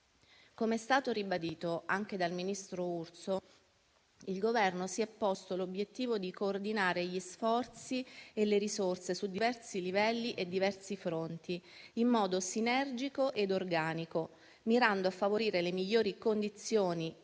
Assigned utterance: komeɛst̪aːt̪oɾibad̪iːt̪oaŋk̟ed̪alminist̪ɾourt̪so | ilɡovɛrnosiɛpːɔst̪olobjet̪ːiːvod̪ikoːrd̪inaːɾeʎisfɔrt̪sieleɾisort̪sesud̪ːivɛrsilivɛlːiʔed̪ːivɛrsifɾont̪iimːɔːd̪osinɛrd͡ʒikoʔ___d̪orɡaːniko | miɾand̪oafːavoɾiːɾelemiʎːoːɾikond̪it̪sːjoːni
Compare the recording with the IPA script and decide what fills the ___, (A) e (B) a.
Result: A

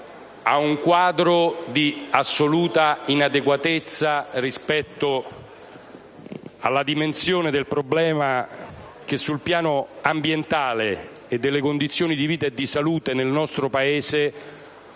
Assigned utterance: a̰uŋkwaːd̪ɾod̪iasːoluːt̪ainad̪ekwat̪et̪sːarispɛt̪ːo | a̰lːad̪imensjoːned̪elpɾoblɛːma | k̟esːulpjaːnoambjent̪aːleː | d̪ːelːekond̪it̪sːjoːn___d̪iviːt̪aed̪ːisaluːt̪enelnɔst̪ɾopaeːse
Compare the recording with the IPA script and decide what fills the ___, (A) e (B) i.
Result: B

